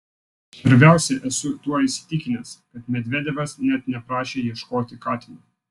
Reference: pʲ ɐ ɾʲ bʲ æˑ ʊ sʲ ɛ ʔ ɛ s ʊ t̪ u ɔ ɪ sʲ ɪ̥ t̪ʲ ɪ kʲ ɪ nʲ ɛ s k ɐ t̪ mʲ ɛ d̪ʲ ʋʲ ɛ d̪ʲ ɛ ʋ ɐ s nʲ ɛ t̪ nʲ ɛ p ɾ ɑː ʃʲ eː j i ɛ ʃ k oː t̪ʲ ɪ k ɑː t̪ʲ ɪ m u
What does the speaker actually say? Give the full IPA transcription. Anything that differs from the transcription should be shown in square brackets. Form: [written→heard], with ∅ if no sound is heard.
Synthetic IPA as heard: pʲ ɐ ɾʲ bʲ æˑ ʊ sʲ ɛ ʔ ɛ s ʊ t̪ u ɔ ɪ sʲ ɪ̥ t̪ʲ ɪ kʲ ɪ nʲ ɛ s k ɐ t̪ mʲ ɛ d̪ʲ ʋʲ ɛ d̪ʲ ɛ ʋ ɐ s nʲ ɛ t̪ nʲ ɛ p ɾ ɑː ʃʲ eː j i ɛ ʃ k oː t̪ʲ ɪ k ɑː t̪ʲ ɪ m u

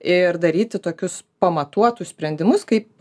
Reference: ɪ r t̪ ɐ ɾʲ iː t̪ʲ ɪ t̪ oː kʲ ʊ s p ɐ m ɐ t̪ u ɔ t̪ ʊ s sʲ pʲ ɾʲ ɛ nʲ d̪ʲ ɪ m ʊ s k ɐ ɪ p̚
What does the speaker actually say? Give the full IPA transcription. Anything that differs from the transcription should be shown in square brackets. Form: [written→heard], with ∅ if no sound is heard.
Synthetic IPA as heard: ɪ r [t̪→d̪] ɐ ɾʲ iː t̪ʲ ɪ t̪ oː kʲ ʊ s p ɐ m ɐ t̪ u ɔ t̪ ʊ s sʲ pʲ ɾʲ ɛ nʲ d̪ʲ ɪ m ʊ s k ɐ ɪ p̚

